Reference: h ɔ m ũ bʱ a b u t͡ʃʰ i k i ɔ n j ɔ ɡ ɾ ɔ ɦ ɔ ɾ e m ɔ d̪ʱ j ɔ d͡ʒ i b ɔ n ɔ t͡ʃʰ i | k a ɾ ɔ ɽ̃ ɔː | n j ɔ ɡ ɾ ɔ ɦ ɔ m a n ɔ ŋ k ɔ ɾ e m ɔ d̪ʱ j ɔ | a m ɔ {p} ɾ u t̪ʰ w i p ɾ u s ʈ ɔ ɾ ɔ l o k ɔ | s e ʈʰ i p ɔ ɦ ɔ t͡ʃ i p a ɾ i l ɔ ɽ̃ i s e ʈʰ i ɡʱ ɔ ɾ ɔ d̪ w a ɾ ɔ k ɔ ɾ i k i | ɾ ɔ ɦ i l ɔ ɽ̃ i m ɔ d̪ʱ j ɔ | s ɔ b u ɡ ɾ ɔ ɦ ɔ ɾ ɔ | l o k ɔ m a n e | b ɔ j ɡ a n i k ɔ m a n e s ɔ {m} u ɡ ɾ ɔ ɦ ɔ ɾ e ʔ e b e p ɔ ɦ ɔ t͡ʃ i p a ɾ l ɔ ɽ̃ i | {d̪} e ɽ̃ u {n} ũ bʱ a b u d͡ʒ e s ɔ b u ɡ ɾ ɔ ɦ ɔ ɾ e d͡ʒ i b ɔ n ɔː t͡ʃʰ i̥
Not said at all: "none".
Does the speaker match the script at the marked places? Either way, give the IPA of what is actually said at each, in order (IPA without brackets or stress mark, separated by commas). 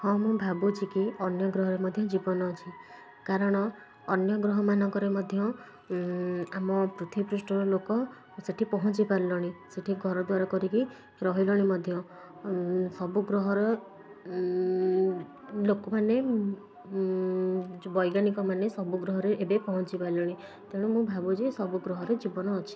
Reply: p, b, t̪, m